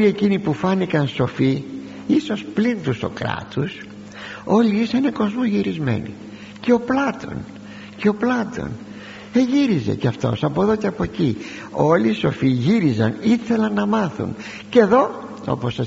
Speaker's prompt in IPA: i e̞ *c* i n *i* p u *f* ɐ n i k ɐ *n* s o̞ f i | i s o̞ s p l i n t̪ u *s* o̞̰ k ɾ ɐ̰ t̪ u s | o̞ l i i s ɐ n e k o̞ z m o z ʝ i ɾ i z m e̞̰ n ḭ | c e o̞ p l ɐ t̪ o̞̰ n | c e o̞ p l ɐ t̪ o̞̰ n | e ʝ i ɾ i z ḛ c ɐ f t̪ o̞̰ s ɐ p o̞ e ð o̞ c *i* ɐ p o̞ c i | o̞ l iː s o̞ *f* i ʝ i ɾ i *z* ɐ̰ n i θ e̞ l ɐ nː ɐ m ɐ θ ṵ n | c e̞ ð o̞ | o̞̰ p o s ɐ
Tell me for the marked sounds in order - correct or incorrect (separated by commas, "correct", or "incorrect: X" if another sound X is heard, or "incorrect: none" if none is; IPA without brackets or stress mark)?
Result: correct, correct, correct, correct, correct, incorrect: e, correct, correct